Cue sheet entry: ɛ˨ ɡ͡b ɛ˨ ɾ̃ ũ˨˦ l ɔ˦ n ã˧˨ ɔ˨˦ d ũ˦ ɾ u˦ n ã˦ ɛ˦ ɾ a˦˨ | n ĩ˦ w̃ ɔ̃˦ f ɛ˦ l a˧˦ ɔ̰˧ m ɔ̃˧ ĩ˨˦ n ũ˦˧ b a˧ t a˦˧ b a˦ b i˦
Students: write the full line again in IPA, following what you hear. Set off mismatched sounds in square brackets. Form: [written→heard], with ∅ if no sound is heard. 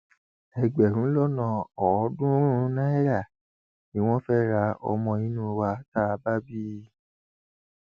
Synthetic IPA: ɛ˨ ɡ͡b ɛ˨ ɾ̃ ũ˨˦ l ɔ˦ n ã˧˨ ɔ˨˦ d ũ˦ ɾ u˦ n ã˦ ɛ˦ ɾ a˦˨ | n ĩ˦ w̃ ɔ̃˦ f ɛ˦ [l→ɾ] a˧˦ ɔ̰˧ m ɔ̃˧ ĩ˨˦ n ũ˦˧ [b→w] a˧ t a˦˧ b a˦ b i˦